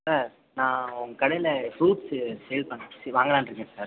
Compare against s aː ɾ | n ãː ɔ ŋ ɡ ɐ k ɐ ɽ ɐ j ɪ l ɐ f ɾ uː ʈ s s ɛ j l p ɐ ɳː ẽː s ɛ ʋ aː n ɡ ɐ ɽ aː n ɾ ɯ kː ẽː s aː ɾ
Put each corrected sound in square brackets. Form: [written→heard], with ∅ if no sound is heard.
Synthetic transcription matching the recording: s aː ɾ | n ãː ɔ ŋ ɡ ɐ k ɐ ɽ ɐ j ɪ l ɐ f ɾ uː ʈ s s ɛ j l p ɐ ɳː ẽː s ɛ ʋ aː [n→ŋ] ɡ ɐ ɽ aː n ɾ ɯ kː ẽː s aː ɾ